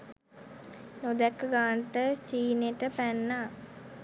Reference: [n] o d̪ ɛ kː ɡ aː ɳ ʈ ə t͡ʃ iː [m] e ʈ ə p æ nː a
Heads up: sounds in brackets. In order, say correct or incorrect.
correct, incorrect: n

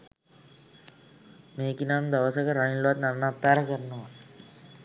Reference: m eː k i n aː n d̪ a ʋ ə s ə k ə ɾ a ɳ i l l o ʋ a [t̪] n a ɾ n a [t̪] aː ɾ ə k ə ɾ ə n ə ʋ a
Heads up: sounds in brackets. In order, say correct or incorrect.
correct, correct

